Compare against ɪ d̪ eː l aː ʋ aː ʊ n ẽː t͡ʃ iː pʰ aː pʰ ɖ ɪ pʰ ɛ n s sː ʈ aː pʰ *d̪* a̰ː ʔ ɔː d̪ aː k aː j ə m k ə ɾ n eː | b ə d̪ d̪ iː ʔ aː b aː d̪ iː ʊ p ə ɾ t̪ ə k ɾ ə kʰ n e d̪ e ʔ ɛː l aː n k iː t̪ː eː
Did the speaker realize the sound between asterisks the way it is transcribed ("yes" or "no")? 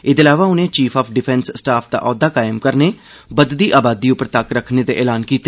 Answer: yes